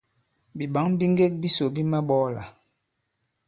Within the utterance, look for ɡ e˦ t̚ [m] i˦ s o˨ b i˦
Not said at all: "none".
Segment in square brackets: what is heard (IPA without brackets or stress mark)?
b